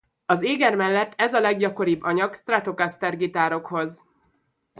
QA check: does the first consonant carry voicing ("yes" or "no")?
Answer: yes